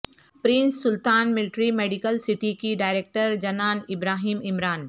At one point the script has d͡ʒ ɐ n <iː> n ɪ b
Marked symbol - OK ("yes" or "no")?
no